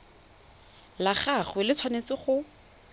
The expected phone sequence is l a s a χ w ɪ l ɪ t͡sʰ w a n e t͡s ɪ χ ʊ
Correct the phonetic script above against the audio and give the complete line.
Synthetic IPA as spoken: l a χ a χ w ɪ l ɪ t͡sʰ w a n e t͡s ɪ χ ʊ